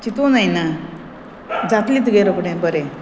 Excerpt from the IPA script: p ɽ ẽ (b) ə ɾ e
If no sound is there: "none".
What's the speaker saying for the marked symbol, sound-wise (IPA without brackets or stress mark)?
b